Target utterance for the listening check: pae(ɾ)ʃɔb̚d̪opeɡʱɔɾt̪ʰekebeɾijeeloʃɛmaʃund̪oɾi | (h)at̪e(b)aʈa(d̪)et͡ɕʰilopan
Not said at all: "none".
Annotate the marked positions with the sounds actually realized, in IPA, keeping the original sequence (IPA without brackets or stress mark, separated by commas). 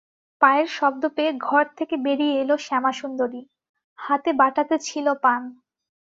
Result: ɾ, h, b, t̪